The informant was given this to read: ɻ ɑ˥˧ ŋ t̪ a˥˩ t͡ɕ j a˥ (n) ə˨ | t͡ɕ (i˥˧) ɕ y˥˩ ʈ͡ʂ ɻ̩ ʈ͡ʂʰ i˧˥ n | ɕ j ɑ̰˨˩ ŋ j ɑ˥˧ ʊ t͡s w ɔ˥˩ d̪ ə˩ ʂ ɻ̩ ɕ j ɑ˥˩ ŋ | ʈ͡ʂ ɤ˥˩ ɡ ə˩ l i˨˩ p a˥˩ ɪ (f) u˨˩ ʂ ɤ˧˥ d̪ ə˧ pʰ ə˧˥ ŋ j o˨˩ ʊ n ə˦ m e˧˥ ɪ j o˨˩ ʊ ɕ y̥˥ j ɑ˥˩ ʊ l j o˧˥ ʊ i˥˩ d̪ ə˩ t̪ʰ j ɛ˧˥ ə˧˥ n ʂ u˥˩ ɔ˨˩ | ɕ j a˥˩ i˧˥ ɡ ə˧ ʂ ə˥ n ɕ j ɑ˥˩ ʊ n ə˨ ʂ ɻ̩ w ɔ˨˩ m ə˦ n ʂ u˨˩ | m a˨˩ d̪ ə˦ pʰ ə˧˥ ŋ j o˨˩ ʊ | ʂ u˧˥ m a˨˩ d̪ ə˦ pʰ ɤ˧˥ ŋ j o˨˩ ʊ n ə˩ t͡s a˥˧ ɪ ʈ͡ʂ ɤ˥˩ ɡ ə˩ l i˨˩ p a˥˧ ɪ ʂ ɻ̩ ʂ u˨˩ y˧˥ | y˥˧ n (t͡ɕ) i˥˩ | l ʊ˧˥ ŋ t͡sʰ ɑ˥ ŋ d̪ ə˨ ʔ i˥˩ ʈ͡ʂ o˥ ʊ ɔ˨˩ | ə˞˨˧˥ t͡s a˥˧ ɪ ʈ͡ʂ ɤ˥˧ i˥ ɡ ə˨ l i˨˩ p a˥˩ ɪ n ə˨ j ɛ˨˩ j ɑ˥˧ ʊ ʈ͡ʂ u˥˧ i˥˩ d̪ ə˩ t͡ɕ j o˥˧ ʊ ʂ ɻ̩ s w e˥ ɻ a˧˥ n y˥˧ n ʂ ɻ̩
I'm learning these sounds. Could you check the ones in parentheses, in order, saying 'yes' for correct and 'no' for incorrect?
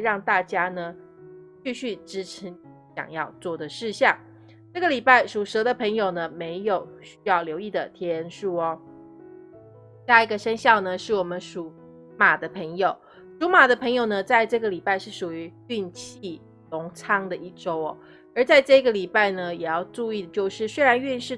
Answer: yes, no, no, no

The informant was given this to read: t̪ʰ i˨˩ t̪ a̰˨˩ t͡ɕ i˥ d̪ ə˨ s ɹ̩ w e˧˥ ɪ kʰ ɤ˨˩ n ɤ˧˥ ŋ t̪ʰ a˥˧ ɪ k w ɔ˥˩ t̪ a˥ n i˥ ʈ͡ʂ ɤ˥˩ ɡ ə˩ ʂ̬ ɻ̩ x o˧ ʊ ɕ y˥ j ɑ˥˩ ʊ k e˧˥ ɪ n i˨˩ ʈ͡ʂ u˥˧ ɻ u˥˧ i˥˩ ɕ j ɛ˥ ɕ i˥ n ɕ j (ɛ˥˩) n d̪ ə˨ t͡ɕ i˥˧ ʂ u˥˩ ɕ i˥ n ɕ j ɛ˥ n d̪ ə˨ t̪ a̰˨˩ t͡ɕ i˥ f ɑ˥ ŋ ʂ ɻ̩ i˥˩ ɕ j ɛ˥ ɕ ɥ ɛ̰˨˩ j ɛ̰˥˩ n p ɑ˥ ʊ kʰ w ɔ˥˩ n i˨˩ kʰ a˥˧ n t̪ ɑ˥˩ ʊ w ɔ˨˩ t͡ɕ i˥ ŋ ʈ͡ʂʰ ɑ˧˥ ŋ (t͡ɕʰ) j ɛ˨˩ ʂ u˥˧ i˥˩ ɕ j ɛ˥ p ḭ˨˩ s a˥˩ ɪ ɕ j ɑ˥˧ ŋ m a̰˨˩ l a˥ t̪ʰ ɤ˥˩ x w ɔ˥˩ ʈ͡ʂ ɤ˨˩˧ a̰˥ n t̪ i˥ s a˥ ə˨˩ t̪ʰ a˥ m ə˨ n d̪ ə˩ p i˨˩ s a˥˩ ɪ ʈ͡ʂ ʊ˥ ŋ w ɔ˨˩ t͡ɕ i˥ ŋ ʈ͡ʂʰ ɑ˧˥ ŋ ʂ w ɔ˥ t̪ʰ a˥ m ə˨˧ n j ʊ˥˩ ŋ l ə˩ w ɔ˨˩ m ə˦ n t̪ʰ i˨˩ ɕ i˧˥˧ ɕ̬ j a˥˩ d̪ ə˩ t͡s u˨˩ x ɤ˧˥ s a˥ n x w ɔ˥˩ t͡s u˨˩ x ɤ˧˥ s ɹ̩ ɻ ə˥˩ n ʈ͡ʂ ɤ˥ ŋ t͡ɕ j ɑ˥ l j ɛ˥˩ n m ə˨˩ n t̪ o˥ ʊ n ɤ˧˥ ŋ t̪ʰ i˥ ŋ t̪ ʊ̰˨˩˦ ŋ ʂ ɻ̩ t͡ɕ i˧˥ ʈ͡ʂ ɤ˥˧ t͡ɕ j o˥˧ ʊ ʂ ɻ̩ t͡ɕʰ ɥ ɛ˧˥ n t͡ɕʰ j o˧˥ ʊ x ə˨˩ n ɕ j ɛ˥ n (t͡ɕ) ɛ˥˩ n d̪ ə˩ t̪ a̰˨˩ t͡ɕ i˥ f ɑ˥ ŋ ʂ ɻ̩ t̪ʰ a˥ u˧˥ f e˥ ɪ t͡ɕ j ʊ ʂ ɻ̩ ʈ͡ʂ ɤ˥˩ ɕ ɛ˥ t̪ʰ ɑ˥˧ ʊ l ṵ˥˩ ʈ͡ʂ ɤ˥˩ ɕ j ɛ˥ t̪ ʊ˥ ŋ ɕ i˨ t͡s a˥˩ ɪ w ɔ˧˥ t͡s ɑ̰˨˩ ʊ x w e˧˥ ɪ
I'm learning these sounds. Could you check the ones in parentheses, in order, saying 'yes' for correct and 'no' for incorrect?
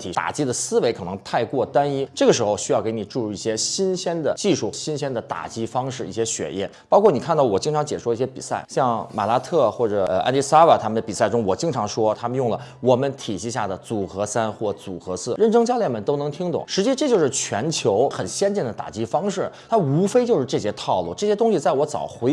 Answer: no, no, yes

